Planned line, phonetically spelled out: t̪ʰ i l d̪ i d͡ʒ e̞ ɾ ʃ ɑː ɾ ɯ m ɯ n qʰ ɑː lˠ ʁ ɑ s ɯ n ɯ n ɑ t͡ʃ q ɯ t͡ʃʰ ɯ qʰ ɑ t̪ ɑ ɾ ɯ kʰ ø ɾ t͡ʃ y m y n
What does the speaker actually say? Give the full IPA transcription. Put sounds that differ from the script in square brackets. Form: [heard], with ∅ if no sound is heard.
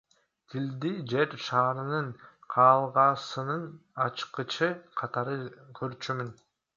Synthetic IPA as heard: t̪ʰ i l d̪ i d͡ʒ e̞ ɾ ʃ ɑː ɾ ɯ [n] ɯ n qʰ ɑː lˠ ʁ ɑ s ɯ n ɯ n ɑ t͡ʃ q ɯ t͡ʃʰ ɯ qʰ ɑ t̪ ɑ ɾ ɯ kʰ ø ɾ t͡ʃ y m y n